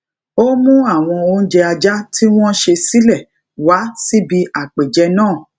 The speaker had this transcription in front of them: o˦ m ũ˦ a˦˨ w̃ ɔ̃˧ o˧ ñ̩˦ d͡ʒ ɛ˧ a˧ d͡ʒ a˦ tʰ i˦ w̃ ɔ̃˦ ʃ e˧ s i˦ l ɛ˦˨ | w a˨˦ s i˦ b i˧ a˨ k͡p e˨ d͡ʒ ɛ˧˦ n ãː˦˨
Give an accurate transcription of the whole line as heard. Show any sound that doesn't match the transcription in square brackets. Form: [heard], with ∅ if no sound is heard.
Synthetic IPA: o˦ m ũ˦ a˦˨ w̃ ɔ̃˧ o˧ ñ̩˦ d͡ʒ ɛ˧ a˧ d͡ʒ a˦ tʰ i˦ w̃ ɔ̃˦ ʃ e˧ s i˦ l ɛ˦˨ | w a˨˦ s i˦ b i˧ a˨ k͡p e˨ d͡ʒ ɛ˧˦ n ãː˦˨